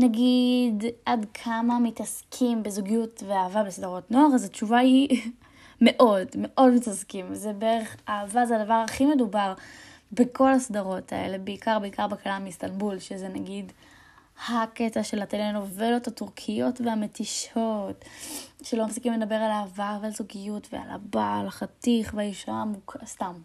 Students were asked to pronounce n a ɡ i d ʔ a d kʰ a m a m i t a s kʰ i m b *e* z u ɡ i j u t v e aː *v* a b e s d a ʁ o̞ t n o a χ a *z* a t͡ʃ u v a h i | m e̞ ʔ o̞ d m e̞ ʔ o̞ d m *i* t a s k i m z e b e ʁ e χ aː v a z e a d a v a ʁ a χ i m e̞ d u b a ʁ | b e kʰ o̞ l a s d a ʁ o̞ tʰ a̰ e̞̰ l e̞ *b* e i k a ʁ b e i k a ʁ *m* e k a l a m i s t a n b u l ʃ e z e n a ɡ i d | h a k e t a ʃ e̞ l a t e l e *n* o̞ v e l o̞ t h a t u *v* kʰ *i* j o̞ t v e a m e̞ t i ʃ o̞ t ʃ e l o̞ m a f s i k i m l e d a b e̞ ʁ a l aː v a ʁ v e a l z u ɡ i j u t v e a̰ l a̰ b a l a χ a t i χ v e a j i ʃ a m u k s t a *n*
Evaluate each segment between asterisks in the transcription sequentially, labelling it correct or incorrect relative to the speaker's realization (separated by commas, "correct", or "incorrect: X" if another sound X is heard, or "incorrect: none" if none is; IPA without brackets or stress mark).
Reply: correct, correct, correct, correct, correct, incorrect: b, correct, incorrect: ʁ, correct, incorrect: m